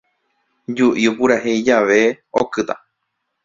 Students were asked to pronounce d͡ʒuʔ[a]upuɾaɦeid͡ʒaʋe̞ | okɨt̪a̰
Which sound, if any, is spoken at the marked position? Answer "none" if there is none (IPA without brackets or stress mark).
i